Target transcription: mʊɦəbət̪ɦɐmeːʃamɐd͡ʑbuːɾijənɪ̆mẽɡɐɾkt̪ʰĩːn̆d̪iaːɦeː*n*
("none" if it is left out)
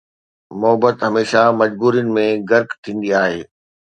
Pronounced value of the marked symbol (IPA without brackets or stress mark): none